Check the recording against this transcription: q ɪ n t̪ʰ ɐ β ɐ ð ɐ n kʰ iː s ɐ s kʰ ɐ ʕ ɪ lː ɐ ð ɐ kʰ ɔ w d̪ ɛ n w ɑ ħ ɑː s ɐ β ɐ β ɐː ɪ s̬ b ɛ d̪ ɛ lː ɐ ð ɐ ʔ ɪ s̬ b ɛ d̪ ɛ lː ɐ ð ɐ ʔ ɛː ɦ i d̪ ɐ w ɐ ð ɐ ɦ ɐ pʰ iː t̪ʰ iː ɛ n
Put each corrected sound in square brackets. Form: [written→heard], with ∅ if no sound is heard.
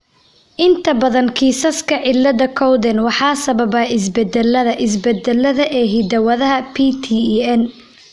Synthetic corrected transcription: [q→ʔ] ɪ n t̪ʰ ɐ [β→b] ɐ ð ɐ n kʰ iː s ɐ s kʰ ɐ ʕ ɪ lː ɐ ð ɐ kʰ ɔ w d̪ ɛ n w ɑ ħ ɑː s ɐ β ɐ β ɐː ɪ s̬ b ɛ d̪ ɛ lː ɐ ð ɐ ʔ ɪ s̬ b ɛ d̪ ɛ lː ɐ ð ɐ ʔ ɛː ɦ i d̪ ɐ w ɐ ð ɐ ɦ ɐ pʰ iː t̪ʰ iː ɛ n